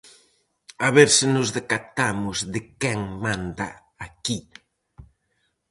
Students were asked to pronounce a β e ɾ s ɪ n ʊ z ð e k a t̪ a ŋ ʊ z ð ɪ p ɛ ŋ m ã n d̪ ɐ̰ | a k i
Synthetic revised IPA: a β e ɾ s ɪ n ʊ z ð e k a t̪ a m ʊ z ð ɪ k ɛ ŋ m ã n d̪ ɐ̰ | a k i